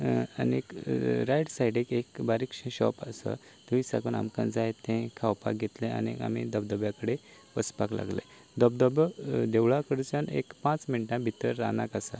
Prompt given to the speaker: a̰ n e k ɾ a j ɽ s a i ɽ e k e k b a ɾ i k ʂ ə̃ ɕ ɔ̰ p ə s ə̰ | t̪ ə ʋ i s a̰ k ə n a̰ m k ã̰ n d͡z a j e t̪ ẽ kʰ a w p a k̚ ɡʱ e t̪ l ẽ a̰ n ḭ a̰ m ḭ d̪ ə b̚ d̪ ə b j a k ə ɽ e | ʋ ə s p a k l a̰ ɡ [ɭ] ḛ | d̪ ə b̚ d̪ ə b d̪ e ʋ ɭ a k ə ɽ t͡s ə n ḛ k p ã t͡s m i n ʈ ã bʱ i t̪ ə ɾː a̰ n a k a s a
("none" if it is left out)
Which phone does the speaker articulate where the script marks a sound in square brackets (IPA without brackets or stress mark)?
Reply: l